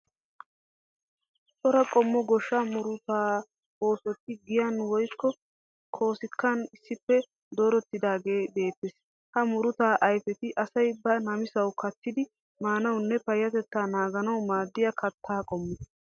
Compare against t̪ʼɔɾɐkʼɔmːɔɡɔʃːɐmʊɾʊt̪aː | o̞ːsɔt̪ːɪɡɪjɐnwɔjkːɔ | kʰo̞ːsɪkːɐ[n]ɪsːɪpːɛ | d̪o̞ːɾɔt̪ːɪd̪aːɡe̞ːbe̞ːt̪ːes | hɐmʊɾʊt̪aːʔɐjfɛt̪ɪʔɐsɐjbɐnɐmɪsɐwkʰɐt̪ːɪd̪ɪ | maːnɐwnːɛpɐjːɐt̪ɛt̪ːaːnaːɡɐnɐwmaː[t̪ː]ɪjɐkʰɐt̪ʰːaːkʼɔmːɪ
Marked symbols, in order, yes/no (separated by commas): yes, no